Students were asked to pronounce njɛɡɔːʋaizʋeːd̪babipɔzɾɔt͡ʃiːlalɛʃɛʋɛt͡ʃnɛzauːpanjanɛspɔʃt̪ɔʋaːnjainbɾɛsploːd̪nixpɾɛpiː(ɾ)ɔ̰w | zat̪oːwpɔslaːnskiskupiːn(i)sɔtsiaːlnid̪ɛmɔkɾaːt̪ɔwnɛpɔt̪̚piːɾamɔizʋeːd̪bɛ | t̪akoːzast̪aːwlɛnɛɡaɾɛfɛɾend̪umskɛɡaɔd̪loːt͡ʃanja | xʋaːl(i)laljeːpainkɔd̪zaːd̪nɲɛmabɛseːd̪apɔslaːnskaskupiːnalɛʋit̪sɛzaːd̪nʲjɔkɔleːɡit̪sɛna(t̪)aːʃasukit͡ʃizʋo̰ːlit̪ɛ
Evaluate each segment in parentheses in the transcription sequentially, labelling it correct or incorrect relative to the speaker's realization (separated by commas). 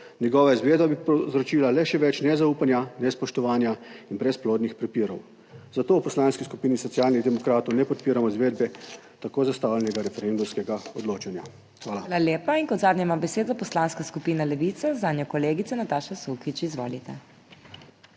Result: correct, correct, incorrect, correct